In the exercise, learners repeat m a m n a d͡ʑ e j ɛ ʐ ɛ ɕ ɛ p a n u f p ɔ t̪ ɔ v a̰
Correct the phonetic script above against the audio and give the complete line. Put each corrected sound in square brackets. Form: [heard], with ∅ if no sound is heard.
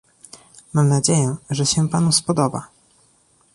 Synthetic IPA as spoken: m a m n a d͡ʑ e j ɛ ʐ ɛ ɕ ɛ p a n u [s] p ɔ [d̪] ɔ [b] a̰